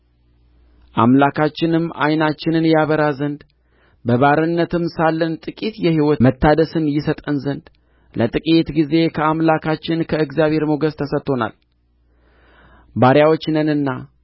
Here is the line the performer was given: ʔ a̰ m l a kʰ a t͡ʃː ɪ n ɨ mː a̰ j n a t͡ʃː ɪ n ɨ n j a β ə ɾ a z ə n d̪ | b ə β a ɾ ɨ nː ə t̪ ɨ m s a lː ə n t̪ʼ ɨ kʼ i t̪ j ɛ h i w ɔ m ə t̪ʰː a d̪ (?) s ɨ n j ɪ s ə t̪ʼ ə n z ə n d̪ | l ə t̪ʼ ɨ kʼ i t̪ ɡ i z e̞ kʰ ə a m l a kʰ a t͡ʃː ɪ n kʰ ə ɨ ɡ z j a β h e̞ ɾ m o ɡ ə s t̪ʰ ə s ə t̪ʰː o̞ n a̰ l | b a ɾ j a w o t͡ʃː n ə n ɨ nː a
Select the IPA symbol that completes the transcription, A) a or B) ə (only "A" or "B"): B